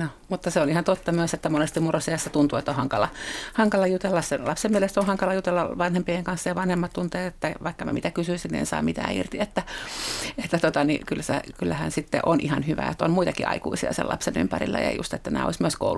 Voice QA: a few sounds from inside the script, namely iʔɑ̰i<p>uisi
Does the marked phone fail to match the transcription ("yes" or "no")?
yes